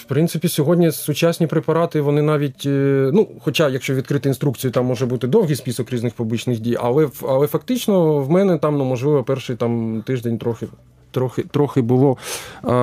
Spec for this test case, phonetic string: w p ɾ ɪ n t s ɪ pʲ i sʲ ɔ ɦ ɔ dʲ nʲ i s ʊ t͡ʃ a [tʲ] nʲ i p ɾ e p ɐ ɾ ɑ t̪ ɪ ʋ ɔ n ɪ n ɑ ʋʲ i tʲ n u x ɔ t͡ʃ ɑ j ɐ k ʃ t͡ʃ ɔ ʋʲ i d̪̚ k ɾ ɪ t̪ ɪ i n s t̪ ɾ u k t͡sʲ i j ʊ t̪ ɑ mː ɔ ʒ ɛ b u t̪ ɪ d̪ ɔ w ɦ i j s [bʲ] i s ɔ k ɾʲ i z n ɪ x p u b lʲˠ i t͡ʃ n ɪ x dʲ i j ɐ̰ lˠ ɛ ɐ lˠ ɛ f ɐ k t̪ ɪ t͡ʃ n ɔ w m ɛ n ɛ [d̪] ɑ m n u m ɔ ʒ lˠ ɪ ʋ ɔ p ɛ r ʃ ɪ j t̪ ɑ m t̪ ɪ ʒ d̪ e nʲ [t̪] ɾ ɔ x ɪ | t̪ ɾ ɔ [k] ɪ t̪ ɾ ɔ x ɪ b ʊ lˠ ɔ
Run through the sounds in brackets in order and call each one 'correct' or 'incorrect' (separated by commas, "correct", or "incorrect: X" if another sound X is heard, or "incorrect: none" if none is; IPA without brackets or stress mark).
incorrect: sʲ, incorrect: pʲ, incorrect: t̪, correct, incorrect: x